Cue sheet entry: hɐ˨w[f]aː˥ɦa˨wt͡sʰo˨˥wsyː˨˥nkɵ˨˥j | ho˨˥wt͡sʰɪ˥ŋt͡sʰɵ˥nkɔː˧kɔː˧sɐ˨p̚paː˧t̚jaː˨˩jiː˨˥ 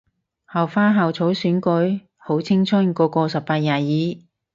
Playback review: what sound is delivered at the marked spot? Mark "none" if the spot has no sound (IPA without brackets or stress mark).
f